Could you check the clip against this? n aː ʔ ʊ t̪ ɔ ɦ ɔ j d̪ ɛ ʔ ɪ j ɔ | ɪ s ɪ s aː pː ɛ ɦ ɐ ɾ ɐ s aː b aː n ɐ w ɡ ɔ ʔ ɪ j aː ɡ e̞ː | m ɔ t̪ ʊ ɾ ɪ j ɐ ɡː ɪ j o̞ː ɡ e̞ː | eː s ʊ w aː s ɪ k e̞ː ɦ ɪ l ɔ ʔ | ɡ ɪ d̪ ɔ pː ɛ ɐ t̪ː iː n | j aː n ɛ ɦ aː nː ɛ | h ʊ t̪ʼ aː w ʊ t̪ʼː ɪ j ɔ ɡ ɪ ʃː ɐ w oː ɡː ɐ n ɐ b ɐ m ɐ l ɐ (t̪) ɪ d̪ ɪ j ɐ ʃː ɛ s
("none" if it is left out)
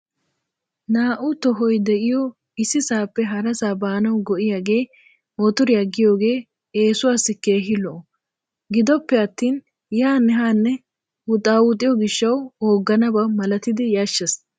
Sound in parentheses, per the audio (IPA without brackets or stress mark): t̪